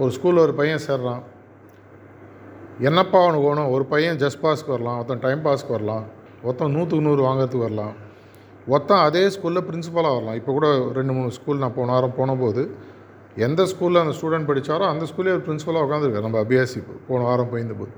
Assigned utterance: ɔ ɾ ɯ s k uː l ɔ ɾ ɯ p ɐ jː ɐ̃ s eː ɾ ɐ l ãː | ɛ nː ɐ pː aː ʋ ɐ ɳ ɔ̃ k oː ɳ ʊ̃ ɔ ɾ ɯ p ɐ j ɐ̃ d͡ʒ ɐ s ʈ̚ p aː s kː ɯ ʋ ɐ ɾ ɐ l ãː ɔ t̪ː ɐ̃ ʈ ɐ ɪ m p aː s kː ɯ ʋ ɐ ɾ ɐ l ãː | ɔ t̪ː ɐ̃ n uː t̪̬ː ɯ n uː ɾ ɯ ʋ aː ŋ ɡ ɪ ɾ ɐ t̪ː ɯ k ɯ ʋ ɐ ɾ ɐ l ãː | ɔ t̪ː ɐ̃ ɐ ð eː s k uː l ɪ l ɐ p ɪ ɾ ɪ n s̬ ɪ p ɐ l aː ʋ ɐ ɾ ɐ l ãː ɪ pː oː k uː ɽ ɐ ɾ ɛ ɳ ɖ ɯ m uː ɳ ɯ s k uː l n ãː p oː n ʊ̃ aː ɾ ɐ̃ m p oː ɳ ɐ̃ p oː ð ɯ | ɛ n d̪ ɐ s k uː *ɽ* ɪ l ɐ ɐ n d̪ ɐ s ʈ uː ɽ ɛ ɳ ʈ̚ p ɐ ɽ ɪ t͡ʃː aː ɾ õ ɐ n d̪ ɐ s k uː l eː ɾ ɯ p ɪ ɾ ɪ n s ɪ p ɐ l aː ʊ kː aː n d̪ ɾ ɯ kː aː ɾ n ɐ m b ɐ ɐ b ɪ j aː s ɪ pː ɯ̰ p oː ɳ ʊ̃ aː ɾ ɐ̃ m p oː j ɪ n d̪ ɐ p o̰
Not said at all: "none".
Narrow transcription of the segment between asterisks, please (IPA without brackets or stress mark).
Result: l